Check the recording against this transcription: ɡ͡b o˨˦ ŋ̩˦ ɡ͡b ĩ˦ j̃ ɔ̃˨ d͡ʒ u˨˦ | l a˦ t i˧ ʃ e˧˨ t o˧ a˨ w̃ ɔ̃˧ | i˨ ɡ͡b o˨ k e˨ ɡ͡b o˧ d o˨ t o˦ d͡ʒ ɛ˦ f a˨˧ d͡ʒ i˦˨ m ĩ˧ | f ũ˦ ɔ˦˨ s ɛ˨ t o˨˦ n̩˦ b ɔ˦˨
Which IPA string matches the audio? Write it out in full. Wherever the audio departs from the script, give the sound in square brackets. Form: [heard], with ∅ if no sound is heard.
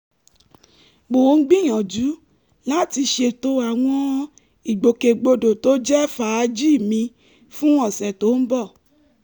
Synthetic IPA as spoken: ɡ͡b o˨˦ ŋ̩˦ ɡ͡b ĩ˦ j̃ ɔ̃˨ d͡ʒ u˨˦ | l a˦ t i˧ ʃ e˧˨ t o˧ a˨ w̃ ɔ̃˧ | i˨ ɡ͡b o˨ k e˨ ɡ͡b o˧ d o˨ t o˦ d͡ʒ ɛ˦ f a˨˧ d͡ʒ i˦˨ m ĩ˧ | f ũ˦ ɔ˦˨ s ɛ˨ t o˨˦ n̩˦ b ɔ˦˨